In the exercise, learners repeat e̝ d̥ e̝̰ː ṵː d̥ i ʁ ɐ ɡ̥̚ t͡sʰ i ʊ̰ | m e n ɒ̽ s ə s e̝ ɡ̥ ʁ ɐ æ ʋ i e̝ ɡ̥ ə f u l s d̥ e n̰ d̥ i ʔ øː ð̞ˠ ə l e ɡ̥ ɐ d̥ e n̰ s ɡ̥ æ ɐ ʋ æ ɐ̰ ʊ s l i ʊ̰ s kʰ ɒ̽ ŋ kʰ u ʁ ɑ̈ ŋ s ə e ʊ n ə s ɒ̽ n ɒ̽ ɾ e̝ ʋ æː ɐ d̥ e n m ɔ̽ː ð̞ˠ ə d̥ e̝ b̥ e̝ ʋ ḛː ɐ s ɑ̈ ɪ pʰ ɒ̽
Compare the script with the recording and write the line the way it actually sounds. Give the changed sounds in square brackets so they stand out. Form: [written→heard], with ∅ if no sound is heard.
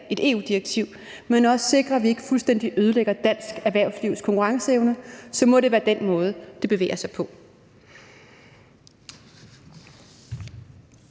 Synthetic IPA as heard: e̝ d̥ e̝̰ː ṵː d̥ i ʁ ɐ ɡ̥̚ t͡sʰ i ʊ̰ | m e n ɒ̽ s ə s e̝ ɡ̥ ʁ ɐ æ ʋ i e̝ ɡ̥ ə f u l s d̥ e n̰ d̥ i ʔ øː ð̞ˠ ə l e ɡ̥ ɐ d̥ [e→æ] n̰ s ɡ̥ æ ɐ ʋ æ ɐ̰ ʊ s l i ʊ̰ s kʰ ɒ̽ ŋ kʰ u ʁ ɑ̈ ŋ s ə e ʊ n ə s ɒ̽ [n→m] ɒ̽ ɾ e̝ ʋ æː ɐ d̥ e n m ɔ̽ː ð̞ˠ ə d̥ e̝ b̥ e̝ ʋ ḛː ɐ s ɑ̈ ɪ pʰ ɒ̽